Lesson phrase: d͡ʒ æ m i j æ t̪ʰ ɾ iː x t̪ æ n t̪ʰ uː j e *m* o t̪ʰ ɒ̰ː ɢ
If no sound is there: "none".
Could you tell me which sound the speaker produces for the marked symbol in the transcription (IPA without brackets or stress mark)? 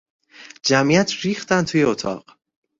none